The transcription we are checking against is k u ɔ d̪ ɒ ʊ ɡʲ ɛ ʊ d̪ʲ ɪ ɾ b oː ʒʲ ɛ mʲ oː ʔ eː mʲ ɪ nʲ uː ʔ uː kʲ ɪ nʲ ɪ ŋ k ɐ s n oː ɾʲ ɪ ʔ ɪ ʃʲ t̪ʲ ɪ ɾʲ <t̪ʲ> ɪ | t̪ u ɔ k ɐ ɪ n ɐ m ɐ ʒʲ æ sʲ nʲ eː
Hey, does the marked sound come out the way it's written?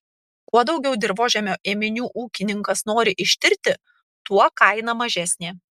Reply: yes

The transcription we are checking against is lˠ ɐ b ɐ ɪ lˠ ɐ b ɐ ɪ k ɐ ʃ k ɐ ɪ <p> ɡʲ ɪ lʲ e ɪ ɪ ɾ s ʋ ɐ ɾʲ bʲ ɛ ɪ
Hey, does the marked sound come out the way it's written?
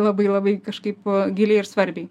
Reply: yes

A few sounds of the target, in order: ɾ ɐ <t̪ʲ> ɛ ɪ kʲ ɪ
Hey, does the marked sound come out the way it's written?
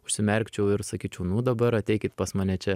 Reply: yes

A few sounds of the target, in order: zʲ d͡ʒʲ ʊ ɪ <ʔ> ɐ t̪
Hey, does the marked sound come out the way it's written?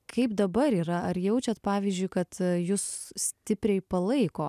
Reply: no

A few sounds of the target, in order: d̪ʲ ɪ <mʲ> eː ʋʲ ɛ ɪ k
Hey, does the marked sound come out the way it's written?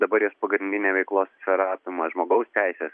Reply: no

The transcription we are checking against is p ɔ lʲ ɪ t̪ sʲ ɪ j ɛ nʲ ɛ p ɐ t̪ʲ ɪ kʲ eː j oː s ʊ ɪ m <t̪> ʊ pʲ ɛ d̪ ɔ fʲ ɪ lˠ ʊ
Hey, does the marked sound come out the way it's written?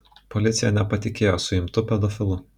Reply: yes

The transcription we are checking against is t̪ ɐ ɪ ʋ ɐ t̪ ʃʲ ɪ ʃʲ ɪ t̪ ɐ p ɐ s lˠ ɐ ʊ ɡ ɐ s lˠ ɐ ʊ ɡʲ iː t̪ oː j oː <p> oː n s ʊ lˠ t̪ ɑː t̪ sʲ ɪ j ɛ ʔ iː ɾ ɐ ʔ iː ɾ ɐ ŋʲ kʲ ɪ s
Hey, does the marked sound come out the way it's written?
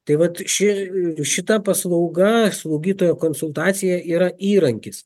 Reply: no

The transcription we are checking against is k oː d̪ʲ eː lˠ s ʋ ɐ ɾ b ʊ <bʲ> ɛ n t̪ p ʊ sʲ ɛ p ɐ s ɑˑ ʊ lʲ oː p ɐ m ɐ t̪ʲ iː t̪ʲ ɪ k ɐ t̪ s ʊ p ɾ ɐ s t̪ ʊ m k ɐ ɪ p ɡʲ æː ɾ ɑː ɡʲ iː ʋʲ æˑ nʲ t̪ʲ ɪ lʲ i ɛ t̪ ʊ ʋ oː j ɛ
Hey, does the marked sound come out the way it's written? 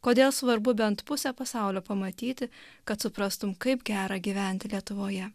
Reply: yes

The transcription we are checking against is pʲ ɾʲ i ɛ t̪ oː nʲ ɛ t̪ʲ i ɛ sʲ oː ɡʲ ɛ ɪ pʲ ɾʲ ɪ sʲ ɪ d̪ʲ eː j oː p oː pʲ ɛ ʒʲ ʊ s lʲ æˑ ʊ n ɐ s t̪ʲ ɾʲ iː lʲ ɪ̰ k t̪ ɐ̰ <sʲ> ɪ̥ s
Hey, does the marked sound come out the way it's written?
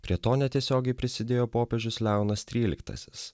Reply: yes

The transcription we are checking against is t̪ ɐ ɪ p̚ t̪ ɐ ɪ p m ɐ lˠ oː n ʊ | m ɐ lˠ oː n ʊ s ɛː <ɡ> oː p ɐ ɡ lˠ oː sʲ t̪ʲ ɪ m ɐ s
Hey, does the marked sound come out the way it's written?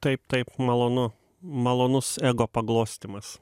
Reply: yes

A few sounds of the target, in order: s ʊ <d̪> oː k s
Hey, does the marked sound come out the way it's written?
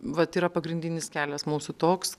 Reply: no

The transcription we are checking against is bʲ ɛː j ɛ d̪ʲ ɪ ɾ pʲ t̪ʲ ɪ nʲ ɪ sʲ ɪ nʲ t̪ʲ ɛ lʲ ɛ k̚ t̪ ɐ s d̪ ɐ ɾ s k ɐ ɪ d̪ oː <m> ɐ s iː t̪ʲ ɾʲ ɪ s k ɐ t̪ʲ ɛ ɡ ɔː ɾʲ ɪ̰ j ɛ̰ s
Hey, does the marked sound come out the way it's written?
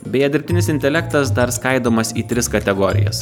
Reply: yes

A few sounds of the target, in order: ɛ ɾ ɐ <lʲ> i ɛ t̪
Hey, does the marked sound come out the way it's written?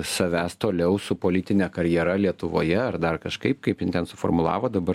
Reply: yes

